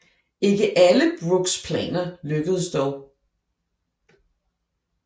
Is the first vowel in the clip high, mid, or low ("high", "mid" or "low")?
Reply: mid